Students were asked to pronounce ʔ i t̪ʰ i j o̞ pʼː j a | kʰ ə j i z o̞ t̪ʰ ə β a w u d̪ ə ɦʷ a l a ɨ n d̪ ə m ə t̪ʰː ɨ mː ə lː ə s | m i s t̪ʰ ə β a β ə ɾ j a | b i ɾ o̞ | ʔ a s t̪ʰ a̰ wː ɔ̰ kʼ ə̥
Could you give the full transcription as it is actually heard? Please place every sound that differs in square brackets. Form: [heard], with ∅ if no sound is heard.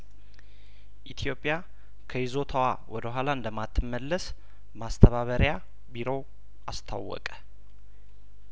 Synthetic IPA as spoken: ʔ i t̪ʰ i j o̞ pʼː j a | kʰ ə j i z o̞ t̪ʰ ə [w] a w [ɔ] d̪ ə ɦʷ a l a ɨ n d̪ ə m [a] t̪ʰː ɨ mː ə lː ə s | m [a] s t̪ʰ ə β a β ə ɾ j a | b i ɾ o̞ | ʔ a s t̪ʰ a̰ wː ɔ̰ kʼ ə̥